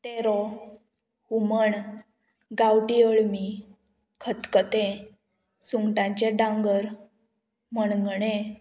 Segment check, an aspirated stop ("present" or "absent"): present